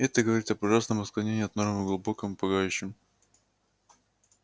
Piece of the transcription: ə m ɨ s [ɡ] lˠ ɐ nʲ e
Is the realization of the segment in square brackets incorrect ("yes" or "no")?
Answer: yes